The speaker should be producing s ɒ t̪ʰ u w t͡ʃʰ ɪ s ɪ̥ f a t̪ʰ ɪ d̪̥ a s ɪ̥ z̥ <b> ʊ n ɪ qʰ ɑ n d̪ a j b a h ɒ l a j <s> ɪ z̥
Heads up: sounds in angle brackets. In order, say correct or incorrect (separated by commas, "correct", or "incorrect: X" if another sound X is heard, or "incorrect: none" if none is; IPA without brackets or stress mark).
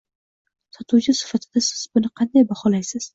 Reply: correct, correct